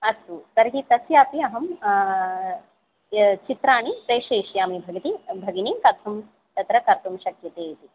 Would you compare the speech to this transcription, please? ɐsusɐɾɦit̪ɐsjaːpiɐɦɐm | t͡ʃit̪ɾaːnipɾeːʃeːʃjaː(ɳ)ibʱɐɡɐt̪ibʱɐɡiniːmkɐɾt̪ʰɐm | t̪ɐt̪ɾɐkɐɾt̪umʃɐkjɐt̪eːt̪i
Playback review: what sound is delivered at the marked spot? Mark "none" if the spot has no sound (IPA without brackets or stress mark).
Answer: m